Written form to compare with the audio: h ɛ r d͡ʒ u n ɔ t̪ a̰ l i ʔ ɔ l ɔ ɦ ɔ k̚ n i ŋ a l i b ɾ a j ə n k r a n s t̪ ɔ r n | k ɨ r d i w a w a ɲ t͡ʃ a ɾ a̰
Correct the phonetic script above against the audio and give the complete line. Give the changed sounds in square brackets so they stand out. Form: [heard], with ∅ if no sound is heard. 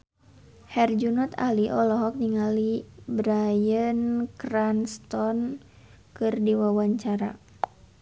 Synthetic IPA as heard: h ɛ r d͡ʒ u n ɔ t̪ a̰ l i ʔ ɔ l ɔ ɦ ɔ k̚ n i ŋ a l i b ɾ a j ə n k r a n s t̪ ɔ [∅] n | k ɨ r d i w a w a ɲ t͡ʃ a ɾ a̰